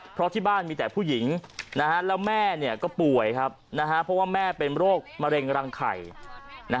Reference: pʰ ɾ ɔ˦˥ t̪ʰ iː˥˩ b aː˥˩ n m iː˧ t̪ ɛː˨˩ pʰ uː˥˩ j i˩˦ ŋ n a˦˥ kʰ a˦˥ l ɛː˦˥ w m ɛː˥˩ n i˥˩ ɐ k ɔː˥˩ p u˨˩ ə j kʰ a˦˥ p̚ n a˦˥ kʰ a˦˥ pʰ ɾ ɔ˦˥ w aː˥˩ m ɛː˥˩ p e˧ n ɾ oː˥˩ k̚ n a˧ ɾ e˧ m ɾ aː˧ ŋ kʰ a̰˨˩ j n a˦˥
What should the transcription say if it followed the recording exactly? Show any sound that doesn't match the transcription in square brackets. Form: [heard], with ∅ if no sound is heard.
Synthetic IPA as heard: pʰ ɾ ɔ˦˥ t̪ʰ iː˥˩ b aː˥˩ n m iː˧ t̪ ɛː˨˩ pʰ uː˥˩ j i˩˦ ŋ n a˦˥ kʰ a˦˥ l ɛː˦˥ w m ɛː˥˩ n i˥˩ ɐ k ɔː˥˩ p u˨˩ ə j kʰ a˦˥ p̚ n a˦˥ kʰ a˦˥ pʰ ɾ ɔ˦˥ w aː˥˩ m ɛː˥˩ p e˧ n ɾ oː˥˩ k̚ [m] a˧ ɾ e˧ [ŋ] ɾ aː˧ ŋ kʰ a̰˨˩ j n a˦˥